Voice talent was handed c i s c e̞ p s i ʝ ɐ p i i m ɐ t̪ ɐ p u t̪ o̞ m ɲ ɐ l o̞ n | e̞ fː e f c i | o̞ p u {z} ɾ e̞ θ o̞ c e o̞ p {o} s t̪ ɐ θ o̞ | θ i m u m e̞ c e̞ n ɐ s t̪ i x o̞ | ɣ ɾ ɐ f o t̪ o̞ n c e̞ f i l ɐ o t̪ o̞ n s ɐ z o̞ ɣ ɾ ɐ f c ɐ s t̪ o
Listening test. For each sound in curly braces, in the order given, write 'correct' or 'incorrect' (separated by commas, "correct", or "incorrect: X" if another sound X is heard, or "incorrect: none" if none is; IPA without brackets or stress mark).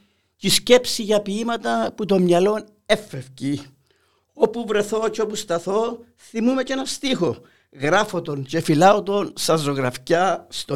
incorrect: v, incorrect: u